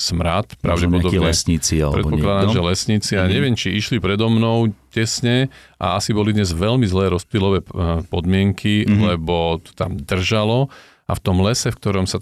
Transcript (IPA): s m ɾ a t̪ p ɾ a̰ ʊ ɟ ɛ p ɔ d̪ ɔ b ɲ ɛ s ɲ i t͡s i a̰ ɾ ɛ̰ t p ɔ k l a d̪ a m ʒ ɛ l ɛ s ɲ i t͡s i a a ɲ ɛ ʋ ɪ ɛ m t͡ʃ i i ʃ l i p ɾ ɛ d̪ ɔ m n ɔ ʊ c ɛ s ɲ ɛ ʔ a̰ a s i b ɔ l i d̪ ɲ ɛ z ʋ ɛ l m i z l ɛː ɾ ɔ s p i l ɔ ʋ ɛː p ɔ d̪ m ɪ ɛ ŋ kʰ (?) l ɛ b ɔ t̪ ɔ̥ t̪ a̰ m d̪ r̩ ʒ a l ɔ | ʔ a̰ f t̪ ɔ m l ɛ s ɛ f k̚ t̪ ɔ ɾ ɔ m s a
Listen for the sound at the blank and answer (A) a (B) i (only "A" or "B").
B